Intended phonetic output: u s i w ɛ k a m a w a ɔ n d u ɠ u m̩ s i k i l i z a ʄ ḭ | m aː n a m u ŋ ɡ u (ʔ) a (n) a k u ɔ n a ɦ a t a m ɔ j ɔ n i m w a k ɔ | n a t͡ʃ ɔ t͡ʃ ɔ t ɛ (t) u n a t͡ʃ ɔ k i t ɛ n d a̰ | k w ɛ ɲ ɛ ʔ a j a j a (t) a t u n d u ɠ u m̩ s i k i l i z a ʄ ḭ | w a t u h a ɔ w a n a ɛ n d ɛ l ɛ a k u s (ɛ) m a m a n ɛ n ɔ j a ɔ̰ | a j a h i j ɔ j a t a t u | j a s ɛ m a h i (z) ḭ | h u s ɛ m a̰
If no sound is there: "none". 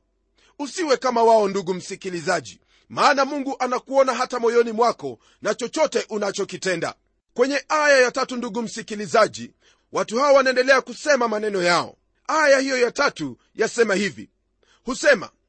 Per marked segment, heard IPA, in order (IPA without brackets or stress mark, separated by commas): ʔ, n, ʔ, t, ɛ, v